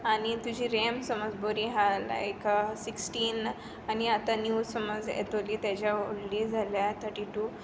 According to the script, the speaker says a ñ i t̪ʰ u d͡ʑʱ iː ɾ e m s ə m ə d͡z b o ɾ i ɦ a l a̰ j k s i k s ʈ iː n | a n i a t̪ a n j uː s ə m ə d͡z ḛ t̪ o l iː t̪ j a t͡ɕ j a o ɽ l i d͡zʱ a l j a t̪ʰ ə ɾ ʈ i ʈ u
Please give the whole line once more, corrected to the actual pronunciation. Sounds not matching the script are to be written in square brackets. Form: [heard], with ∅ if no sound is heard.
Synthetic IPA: a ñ i [t̪] u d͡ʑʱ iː ɾ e m s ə m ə d͡z b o ɾ i ɦ a l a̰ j k s i k s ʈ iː n | a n i a t̪ a n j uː s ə m ə d͡z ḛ t̪ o l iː t̪ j a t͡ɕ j a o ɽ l i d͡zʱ a l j a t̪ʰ ə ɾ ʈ i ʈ u